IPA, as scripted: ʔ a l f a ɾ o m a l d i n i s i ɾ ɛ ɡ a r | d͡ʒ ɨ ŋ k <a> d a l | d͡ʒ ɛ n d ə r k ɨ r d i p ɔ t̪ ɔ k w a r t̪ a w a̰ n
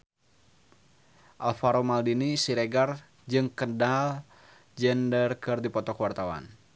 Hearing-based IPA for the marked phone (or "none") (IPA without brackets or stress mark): ə